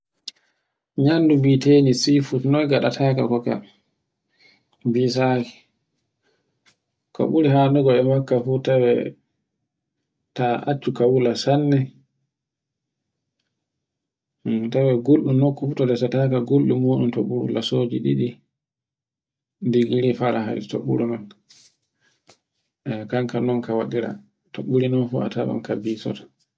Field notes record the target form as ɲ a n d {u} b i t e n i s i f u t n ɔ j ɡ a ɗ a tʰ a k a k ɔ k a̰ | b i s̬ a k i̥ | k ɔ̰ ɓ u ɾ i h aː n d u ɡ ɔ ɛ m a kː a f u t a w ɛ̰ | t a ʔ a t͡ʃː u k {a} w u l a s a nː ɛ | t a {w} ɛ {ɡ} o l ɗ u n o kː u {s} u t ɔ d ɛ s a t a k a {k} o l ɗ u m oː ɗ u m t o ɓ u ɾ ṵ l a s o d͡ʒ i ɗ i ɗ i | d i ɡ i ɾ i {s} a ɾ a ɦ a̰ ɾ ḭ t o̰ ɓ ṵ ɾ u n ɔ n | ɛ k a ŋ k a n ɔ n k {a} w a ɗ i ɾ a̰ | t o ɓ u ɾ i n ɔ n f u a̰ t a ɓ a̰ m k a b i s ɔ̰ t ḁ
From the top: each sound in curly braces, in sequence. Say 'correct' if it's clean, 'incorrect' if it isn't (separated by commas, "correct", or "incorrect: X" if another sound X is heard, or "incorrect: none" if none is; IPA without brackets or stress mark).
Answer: correct, correct, correct, correct, incorrect: f, incorrect: ɡ, incorrect: f, correct